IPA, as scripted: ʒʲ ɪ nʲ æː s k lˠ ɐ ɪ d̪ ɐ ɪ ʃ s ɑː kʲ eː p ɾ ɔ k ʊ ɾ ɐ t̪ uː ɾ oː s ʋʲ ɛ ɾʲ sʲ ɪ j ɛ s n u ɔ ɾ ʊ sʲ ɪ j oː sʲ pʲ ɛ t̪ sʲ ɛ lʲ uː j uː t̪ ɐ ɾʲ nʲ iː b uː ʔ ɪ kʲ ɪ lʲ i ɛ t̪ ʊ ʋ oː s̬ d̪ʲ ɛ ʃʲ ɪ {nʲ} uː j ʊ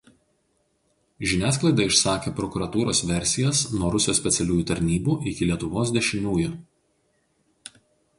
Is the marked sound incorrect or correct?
correct